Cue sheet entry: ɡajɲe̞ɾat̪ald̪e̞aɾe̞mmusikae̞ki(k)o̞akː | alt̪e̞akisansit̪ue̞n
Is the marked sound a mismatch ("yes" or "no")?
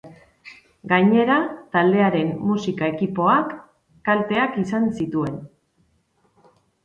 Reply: yes